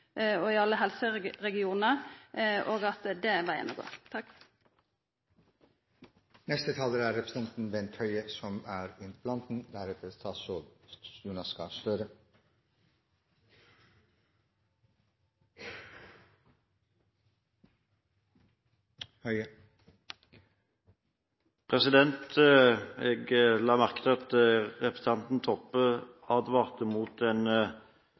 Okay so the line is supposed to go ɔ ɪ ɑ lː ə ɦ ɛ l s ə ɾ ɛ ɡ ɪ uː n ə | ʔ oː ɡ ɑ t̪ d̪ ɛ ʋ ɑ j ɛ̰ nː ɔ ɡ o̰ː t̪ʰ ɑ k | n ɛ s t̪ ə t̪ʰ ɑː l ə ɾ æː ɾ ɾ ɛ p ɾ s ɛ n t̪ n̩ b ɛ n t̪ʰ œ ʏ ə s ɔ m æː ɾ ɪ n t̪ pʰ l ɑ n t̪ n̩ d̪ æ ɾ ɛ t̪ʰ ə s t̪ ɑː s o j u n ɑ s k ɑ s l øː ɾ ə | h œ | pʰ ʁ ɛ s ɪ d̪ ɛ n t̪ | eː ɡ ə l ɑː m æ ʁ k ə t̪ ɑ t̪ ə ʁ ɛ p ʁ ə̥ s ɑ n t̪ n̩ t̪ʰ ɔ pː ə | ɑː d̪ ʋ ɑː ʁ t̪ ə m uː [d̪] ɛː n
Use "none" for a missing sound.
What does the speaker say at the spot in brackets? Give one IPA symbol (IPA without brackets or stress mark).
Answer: t̪